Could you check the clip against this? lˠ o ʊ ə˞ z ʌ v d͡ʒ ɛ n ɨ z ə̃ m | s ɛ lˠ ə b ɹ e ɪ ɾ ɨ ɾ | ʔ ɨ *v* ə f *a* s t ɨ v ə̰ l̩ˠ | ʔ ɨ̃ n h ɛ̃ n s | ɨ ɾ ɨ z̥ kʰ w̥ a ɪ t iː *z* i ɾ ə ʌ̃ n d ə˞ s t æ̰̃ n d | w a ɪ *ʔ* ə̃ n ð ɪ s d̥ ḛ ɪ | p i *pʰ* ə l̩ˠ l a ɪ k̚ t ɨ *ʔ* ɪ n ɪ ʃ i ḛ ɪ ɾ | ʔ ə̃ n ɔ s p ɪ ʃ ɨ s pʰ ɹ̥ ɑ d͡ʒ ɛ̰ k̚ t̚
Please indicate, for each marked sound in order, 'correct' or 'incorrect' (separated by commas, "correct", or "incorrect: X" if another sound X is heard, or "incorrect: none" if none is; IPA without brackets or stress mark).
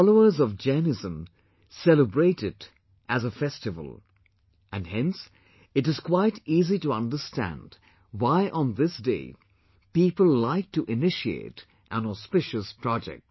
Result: incorrect: z, incorrect: ɛ, correct, correct, incorrect: p, correct